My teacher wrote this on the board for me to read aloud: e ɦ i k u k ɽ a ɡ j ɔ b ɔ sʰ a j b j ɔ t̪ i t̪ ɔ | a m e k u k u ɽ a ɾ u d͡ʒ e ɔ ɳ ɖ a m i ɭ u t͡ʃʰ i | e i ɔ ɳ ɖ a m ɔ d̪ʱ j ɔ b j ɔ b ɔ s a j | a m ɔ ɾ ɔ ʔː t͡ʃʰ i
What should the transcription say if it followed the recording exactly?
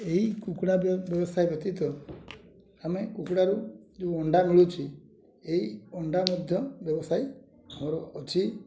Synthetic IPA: e ɦ i k u k ɽ a b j ɔ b ɔ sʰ a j b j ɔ t̪ i t̪ ɔ | a m e k u k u ɽ a ɾ u d͡ʒ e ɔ ɳ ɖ a m i ɭ u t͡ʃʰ i | e i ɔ ɳ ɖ a m ɔ d̪ʱ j ɔ b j ɔ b ɔ s a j | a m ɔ ɾ ɔ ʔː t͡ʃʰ i